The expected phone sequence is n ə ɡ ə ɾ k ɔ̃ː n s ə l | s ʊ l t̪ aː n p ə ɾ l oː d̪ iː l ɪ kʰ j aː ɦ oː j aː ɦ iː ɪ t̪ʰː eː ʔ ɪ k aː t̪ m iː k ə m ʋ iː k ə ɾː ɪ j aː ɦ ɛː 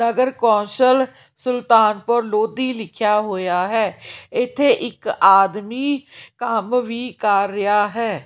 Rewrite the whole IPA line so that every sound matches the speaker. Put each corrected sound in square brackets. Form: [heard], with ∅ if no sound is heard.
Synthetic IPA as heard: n ə ɡ ə ɾ k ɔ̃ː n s ə l | s ʊ l t̪ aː n p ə ɾ l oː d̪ iː l ɪ kʰ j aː ɦ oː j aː ɦ [ɛː] ɪ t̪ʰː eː ʔ ɪ k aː [d̪] m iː k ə m ʋ iː k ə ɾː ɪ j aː ɦ ɛː